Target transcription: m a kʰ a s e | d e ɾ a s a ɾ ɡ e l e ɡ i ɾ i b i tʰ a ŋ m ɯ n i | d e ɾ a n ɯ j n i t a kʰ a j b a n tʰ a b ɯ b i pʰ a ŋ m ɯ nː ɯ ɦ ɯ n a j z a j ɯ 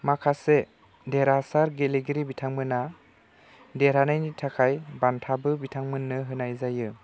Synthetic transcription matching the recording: m a kʰ a s e | d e ɾ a s a ɾ ɡ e l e ɡ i ɾ i b i tʰ a ŋ m ɯ n a | d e ɾ a n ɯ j n i tʰ a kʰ a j b a n tʰ a b ɯ b i tʰ a ŋ m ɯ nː ɯ ɦ ɯ n a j z a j ɯ